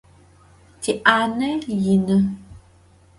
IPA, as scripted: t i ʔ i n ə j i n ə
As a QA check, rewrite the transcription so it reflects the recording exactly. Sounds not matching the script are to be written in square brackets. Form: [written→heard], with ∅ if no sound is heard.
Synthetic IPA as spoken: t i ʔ [i→a] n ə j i n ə